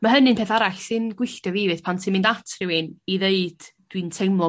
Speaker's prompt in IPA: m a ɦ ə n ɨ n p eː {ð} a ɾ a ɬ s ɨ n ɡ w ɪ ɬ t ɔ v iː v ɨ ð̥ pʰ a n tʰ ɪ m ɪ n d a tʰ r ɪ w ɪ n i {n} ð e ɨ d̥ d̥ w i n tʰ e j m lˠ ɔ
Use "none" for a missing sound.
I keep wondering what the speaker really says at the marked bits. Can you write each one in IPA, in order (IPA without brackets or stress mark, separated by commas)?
θ, none